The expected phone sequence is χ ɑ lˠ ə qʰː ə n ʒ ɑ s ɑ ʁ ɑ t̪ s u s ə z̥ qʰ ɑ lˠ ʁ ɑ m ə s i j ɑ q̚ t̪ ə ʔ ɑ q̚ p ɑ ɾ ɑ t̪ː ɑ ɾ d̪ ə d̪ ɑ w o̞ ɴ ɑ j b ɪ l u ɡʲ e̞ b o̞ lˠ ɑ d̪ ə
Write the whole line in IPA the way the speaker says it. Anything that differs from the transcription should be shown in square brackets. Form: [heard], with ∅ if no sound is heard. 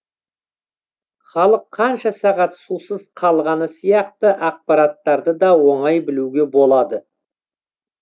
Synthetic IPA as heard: χ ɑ lˠ ə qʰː [ɑ] n [ʃ] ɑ s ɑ ʁ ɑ t̪ s u s ə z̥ qʰ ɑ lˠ ʁ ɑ [n] ə s i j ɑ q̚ t̪ ə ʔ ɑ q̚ p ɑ ɾ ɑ t̪ː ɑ ɾ d̪ ə d̪ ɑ w o̞ ɴ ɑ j b ɪ l u ɡʲ e̞ b o̞ lˠ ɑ d̪ ə